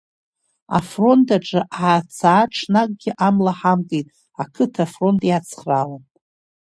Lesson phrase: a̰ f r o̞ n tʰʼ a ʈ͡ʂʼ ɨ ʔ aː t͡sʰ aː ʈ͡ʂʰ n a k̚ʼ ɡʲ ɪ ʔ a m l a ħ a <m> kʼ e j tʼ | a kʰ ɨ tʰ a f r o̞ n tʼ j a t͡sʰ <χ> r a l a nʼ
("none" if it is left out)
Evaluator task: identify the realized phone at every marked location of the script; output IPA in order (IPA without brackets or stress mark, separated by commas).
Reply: m, χ